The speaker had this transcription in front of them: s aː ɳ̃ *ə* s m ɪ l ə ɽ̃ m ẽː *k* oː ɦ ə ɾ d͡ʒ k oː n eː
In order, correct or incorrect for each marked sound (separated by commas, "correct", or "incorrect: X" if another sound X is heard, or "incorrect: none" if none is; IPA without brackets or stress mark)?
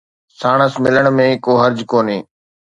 correct, correct